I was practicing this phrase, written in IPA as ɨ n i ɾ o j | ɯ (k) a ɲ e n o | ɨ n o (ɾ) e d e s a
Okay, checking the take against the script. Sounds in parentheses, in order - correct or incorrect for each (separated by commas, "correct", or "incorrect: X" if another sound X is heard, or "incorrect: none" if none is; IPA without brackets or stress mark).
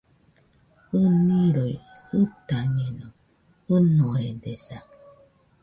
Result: incorrect: t, correct